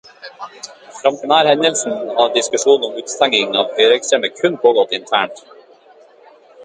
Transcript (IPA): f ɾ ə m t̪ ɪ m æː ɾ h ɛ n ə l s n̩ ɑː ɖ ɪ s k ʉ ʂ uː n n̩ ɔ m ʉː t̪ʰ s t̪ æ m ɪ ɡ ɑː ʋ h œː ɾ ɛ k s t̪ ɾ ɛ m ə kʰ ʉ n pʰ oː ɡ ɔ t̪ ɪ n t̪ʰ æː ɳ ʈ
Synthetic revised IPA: f ɾ ɑ m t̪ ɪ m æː ɾ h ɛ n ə l s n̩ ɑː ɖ ɪ s k ʉ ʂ uː n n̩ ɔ m ʉː t̪ s t̪ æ ŋ ɪ ŋ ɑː ʋ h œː ɾ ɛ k s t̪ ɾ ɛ m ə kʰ ʉ n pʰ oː ɡ ɔ t̪ ɪ n t̪ʰ æː ɳ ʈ